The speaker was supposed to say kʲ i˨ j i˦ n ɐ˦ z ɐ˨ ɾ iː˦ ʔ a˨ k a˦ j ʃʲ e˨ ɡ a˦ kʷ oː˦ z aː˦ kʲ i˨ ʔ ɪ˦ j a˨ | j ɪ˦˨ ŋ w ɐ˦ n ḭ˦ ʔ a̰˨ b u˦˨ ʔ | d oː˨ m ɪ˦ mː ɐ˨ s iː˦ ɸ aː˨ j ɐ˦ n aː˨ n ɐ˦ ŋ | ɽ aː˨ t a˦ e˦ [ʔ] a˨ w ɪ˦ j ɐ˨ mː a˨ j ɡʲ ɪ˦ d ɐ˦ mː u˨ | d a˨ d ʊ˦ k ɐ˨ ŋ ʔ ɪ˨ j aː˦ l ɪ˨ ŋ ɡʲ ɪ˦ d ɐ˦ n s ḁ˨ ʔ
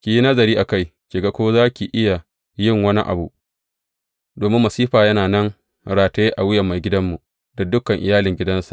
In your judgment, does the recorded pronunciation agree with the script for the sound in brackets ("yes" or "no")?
yes